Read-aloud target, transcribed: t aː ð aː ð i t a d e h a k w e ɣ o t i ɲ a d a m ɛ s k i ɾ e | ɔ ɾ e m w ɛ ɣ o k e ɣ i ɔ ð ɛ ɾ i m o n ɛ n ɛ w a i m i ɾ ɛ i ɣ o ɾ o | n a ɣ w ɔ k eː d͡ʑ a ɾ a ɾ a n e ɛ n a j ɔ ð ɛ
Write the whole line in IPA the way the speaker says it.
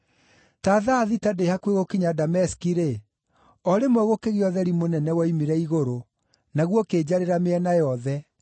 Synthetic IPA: t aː ð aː ð i t a d e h a k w e ɣ o k i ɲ a d a m ɛ s k i ɾ e | ɔ ɾ e m w ɛ ɣ o k e ɣ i ɔ ð ɛ ɾ i m o n ɛ n ɛ w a i m i ɾ ɛ i ɣ o ɾ o | n a ɣ w ɔ k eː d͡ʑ a ɾ e ɾ a m e ɛ n a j ɔ ð ɛ